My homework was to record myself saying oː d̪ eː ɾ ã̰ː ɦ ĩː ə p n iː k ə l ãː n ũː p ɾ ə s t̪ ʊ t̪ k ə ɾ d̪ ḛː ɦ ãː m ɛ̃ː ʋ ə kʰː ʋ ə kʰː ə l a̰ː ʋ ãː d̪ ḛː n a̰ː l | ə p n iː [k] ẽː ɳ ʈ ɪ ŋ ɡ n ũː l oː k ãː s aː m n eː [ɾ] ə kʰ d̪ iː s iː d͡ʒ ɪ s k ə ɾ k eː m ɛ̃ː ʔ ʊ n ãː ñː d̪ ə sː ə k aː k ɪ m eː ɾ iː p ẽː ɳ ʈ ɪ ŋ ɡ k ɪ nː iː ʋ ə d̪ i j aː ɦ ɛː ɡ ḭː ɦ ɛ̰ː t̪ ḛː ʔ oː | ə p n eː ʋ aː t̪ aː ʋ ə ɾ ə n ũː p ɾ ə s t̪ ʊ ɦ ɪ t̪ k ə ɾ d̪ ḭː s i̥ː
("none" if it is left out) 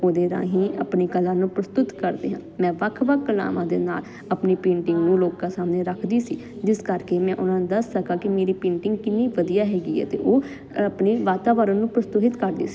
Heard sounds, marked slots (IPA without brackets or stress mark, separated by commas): p, ɾ